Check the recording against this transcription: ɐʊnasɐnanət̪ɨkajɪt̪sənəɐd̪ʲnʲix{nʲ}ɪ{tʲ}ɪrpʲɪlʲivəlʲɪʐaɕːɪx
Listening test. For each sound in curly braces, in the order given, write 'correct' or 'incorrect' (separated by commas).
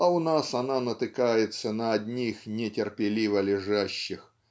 correct, correct